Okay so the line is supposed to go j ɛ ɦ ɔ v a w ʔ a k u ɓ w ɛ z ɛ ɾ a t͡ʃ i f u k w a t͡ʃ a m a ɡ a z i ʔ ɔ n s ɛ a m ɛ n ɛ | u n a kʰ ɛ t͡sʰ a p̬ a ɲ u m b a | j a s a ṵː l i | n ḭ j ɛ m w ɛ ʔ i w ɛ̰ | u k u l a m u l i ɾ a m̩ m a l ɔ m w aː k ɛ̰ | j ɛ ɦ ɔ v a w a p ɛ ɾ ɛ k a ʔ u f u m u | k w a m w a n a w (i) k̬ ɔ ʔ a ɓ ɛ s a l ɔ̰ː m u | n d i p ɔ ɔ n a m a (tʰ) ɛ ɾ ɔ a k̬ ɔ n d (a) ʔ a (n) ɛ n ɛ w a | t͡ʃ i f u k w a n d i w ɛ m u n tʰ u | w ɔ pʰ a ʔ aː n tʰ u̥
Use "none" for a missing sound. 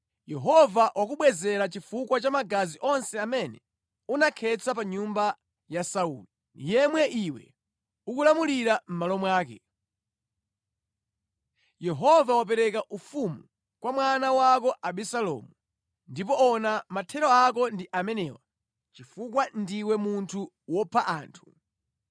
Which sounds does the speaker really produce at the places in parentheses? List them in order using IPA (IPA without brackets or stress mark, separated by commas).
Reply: a, tʰ, i, m